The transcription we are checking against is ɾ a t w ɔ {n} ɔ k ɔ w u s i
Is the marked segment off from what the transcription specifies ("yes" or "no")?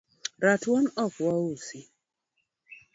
no